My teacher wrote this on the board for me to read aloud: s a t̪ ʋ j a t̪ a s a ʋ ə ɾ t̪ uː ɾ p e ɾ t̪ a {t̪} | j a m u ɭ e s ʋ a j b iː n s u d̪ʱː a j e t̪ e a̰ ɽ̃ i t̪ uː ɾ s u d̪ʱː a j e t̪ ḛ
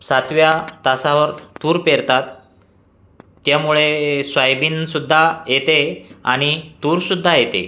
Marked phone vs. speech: correct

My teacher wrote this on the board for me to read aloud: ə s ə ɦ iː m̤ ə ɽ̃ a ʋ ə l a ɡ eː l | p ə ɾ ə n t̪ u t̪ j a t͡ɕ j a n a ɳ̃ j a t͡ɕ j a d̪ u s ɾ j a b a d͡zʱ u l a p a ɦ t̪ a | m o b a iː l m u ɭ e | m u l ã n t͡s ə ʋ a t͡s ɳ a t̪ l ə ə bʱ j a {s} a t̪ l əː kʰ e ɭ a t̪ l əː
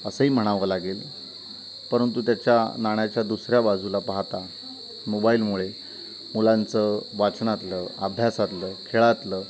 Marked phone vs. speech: correct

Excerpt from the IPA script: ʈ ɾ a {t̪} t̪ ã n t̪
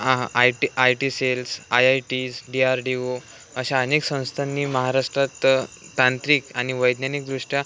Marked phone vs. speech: correct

